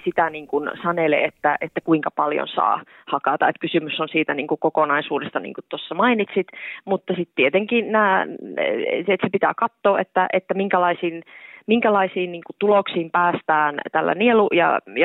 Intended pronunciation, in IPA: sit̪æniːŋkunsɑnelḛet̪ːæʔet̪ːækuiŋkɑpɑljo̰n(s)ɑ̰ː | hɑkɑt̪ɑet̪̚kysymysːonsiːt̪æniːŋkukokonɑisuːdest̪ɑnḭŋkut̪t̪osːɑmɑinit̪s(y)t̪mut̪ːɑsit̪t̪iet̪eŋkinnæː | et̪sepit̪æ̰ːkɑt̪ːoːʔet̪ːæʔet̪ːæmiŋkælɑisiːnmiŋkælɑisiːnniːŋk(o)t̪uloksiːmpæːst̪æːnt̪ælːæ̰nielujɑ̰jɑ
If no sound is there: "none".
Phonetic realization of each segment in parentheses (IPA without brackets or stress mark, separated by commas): s, i, u